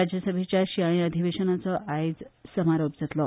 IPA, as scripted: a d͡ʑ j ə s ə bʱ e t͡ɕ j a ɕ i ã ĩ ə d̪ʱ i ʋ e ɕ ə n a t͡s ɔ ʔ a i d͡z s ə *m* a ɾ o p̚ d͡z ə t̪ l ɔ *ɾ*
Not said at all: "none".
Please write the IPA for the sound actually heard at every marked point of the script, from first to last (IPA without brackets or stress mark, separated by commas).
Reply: m, none